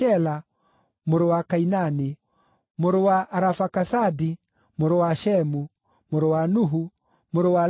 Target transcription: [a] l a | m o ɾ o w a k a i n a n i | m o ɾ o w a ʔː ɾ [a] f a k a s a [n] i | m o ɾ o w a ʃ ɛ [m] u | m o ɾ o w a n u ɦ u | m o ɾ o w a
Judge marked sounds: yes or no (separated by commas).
no, yes, no, yes